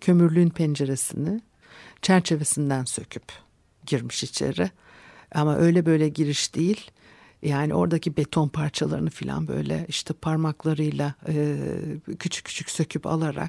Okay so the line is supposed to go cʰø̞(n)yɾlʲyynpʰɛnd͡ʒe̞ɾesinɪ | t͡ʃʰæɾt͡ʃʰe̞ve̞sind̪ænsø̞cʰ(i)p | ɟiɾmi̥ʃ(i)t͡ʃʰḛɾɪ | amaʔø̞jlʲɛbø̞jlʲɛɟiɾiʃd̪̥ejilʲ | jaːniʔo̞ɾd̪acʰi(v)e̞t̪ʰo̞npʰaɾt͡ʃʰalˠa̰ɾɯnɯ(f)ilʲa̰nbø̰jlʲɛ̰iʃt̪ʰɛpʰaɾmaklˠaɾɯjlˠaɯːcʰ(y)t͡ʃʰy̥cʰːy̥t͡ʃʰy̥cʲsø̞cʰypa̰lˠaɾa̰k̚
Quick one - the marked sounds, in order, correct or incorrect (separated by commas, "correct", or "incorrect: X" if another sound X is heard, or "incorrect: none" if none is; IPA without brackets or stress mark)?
incorrect: m, incorrect: y, correct, incorrect: b, correct, correct